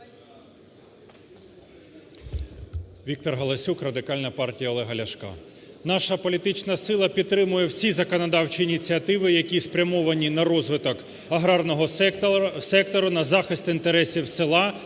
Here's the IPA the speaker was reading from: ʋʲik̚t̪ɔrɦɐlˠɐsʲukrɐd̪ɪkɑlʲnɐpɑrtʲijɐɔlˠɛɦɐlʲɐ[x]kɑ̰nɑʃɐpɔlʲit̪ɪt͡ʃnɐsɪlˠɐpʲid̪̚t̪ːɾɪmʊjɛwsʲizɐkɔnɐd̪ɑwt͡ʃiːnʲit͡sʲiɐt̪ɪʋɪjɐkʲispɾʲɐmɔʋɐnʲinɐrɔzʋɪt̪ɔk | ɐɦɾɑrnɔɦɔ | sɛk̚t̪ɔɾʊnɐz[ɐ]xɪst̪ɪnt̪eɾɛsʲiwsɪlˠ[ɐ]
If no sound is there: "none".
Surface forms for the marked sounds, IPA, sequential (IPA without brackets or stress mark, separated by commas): ʃ, ɑ, ɑ